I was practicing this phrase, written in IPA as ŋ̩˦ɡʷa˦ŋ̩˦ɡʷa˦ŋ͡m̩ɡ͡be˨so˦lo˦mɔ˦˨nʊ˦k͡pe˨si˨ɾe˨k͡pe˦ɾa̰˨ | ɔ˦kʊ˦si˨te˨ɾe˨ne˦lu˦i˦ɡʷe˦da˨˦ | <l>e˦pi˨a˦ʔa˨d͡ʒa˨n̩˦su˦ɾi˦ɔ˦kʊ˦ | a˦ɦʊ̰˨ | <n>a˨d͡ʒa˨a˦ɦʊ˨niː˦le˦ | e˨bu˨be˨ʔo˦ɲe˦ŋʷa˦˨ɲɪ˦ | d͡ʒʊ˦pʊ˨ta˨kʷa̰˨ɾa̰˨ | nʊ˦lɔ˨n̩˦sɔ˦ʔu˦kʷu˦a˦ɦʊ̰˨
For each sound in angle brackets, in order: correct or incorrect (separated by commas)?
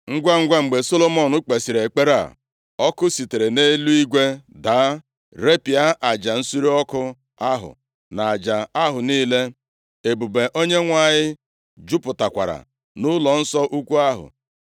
incorrect, correct